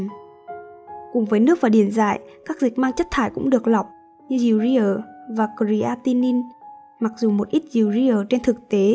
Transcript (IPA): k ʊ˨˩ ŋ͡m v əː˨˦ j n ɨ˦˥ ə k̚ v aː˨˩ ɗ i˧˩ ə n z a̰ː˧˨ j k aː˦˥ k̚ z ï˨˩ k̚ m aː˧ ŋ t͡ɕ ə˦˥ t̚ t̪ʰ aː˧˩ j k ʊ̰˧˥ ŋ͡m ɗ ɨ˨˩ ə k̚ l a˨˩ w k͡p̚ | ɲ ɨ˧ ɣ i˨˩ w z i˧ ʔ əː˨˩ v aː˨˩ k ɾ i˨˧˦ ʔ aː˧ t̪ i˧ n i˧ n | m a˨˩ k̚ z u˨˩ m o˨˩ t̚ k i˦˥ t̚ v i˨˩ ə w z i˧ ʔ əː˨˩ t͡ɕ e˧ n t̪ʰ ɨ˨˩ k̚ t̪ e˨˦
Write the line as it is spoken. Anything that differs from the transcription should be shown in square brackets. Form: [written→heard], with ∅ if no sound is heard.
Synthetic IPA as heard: k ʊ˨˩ ŋ͡m v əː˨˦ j n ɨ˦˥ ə k̚ v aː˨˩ ɗ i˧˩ ə n z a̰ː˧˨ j k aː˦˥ k̚ z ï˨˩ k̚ m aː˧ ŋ t͡ɕ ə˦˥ t̚ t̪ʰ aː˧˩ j k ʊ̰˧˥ ŋ͡m ɗ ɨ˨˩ ə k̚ l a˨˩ w k͡p̚ | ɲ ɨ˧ [ɣ→z] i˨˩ w z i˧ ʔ əː˨˩ v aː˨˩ k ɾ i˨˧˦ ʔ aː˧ t̪ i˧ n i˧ n | m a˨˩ k̚ z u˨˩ m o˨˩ t̚ [k→ʔ] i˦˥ t̚ [v→z] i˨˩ ə w z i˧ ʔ əː˨˩ t͡ɕ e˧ n t̪ʰ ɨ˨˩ k̚ t̪ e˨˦